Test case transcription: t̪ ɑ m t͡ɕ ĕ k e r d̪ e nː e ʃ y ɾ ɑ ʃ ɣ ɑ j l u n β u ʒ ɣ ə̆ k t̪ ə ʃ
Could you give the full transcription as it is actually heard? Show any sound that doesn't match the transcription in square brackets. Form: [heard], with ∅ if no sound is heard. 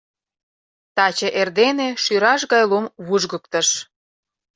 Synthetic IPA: t̪ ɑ [∅] t͡ɕ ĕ [ʔ] e r d̪ e [n] e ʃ y ɾ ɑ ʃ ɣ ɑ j l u [m] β u ʒ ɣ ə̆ k t̪ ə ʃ